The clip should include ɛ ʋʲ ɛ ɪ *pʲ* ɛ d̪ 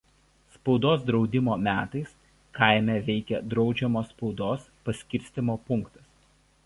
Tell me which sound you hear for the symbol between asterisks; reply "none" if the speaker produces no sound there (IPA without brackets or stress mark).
kʲ